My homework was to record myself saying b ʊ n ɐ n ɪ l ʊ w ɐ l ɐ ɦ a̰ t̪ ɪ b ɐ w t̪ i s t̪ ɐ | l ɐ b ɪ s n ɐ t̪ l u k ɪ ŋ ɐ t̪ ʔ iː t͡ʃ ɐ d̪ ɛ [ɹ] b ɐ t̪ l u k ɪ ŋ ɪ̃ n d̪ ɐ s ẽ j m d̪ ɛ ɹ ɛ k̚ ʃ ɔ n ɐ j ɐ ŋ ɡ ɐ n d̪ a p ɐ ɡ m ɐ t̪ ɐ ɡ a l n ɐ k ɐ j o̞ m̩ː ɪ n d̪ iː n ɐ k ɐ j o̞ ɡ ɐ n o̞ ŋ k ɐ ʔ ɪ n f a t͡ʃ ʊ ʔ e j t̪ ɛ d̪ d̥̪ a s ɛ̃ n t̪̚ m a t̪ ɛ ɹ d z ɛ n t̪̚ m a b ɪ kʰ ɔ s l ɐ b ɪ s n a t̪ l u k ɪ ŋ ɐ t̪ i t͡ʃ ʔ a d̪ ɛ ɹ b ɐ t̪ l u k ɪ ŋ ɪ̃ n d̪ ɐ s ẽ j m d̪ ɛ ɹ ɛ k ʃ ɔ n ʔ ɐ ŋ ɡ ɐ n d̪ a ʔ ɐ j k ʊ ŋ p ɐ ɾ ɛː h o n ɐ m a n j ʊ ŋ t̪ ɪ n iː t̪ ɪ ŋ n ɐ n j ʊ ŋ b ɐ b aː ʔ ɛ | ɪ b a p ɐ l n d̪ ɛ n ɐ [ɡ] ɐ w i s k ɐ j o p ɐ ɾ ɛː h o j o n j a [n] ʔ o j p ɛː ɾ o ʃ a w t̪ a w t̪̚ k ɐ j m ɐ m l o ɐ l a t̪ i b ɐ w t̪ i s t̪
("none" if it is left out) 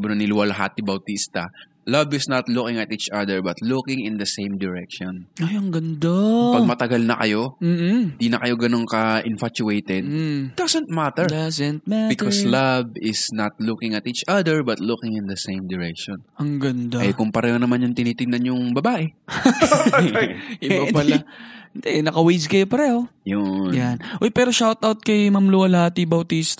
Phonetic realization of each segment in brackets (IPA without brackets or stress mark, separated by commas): ɹ, k, n